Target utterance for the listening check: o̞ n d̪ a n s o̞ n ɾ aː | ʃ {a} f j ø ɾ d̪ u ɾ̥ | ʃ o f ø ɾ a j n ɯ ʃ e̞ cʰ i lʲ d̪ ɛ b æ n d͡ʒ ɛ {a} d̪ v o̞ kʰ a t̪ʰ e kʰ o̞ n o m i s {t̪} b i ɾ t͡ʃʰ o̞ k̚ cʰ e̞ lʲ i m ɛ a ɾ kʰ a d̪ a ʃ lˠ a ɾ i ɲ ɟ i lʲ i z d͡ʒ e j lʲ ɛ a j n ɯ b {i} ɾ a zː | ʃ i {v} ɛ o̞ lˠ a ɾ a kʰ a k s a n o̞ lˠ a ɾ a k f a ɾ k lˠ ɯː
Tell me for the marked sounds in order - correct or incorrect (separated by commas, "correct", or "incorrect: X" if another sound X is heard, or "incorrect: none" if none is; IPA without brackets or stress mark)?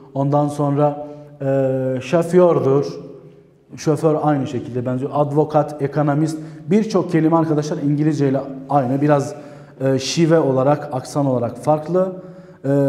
correct, correct, correct, correct, correct